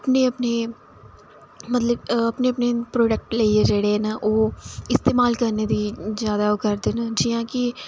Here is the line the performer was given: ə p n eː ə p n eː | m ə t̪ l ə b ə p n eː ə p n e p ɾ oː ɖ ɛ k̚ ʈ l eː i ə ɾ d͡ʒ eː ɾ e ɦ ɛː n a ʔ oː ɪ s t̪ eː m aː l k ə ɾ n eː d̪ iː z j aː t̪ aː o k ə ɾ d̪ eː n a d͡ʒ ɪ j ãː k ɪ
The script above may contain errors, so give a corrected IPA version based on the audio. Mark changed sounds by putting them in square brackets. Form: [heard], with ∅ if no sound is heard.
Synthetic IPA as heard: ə p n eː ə p n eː | m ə t̪ l ə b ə p n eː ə p n e p ɾ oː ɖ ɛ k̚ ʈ l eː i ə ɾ d͡ʒ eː [ɽ] e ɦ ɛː n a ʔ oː ɪ s t̪ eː m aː l k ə ɾ n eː d̪ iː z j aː [d̪] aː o k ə ɾ d̪ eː n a d͡ʒ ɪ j ãː k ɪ